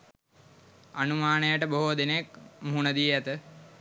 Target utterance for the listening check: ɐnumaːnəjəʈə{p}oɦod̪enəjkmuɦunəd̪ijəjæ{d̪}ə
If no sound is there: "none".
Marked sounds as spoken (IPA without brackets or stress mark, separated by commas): b, t̪